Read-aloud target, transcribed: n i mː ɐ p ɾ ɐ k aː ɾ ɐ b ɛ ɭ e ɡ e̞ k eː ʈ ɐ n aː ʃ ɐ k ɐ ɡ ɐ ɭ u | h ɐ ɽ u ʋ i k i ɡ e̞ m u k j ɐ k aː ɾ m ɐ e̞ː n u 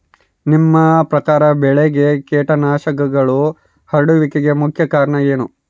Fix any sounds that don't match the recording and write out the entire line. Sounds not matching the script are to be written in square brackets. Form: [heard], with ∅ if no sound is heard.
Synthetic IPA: n i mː ɐ p ɾ ɐ k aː ɾ ɐ b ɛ ɭ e ɡ e̞ k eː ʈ ɐ n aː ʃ ɐ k ɐ ɡ ɐ ɭ u | h ɐ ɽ u ʋ i k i ɡ e̞ m u [kʰ] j ɐ k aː ɾ [ɳ] ɐ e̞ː n u